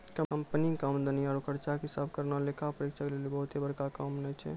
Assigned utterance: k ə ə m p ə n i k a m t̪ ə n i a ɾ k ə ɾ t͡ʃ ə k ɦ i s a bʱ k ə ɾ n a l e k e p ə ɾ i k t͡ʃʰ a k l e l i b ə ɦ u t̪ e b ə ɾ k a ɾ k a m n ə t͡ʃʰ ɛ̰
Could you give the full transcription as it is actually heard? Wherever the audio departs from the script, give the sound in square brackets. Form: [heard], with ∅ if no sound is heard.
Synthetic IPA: k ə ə m p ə n i k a m [d̪] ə n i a ɾ k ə ɾ t͡ʃ [a] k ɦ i s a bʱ k ə ɾ n a l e k [a] p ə ɾ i k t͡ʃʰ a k l e l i b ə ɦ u t̪ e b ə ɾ k a [∅] k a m n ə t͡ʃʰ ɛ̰